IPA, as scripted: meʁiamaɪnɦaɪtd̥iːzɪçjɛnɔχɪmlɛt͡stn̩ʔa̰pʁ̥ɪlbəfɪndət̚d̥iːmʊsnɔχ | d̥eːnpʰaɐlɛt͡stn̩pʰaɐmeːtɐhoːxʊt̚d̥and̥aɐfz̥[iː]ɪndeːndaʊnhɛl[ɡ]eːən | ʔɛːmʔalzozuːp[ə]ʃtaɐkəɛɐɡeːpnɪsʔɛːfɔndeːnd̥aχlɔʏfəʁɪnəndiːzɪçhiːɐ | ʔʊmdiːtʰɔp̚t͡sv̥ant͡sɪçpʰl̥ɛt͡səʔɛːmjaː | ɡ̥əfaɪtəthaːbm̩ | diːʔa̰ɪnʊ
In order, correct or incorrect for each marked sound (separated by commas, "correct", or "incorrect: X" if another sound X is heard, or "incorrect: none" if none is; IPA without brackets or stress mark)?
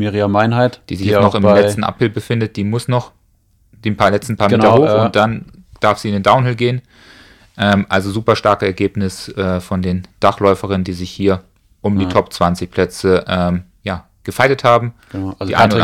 correct, correct, incorrect: ɐ